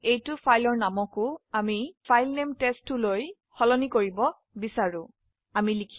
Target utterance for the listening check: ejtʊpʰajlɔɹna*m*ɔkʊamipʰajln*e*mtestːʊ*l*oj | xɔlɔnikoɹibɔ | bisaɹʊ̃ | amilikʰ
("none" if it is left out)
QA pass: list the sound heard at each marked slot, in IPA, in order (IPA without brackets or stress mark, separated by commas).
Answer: m, e, l